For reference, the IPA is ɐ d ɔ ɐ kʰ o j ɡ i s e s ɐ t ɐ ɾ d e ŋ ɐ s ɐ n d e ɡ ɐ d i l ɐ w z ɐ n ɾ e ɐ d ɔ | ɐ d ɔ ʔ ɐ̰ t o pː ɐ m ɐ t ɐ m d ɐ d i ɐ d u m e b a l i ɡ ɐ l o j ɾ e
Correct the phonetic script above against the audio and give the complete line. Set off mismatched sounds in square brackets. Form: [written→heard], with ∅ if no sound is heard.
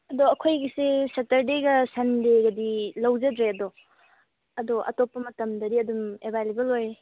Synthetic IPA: ɐ d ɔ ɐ kʰ o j ɡ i s e s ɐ t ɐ ɾ d e [ŋ→ɡ] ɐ s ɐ n d e ɡ ɐ d i l ɐ w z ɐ [n→d] ɾ e ɐ d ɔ | ɐ d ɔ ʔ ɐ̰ t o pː ɐ m ɐ t ɐ m d ɐ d i ɐ d u m e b a l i [ɡ→b] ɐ l o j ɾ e